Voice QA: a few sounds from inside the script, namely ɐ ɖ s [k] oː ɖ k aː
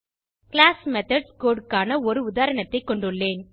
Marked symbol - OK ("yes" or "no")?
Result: yes